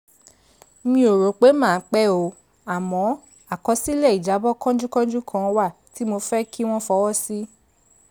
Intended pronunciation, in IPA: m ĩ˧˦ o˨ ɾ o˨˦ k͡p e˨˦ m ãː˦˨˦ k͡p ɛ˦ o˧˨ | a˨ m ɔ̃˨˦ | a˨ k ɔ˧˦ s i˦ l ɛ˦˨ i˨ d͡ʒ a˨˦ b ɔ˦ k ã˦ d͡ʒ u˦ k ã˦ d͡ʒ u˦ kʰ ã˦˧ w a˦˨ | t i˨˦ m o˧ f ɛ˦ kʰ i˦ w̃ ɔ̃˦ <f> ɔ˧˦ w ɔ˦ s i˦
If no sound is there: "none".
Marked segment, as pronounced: f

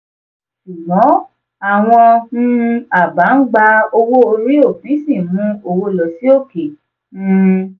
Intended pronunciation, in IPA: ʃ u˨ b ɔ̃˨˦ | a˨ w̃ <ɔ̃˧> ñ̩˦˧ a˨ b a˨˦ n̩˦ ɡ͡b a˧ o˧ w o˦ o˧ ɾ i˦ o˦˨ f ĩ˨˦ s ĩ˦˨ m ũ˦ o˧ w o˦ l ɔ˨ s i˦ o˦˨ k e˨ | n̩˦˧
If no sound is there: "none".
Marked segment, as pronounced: ɔ̃˧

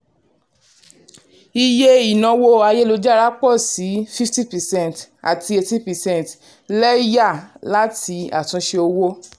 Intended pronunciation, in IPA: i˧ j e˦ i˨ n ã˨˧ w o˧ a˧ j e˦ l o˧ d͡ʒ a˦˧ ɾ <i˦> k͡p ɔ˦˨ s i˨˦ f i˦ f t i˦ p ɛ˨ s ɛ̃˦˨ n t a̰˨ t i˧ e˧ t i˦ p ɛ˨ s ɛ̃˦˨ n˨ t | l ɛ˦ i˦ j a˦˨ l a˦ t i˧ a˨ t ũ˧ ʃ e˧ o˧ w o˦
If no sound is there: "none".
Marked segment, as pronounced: a˦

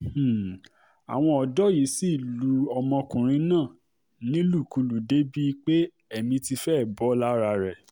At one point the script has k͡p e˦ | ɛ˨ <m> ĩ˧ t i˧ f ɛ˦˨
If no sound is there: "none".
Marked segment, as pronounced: m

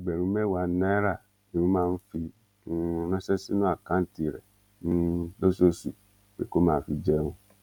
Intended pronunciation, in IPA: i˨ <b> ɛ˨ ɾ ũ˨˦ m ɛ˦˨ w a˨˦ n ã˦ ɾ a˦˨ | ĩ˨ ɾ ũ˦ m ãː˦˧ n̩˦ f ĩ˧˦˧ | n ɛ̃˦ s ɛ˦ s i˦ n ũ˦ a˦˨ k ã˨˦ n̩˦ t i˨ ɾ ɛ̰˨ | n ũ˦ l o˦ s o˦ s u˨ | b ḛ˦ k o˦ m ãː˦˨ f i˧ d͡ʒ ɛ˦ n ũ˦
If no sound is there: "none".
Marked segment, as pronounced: ɡ͡b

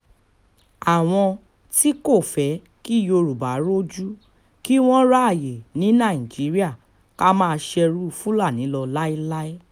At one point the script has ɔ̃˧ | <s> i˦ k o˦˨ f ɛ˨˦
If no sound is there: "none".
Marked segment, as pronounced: t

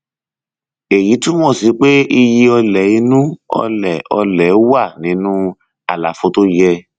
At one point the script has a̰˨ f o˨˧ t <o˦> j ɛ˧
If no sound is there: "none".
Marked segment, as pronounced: o˦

